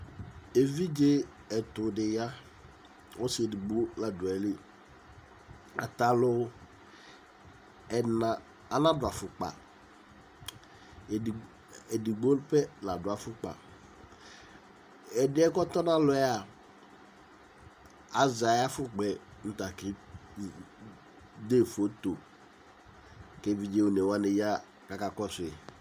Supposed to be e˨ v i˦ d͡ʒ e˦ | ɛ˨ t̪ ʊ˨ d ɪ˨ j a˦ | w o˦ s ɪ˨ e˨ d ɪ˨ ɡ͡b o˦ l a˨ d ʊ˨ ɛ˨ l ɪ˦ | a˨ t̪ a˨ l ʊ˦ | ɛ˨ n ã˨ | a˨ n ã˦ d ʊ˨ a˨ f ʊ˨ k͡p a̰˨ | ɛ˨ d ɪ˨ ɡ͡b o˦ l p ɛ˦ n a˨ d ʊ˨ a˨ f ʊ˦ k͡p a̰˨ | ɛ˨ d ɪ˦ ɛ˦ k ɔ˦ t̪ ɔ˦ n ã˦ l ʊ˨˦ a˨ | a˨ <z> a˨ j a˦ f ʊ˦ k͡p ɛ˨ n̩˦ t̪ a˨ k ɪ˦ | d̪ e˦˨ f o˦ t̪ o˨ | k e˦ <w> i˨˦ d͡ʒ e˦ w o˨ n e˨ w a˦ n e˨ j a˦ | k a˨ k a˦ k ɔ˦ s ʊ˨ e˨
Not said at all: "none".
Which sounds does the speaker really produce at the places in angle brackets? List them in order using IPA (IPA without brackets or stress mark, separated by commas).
z, v